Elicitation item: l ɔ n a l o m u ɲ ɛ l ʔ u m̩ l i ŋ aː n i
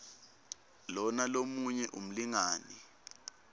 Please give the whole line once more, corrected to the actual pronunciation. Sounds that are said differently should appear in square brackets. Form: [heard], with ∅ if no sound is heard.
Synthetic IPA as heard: l ɔ n a l o m u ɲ ɛ [∅] ʔ u m̩ l i ŋ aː n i